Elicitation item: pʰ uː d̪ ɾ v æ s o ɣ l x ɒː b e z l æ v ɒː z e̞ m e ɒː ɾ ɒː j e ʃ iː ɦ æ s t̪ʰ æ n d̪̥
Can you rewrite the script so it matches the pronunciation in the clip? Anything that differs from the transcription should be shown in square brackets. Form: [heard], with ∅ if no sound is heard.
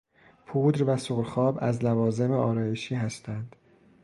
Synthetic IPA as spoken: pʰ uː d̪ ɾ v æ s o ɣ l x ɒː b [æ] z l æ v ɒː z e̞ m e ɒː ɾ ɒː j e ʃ iː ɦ æ s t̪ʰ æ n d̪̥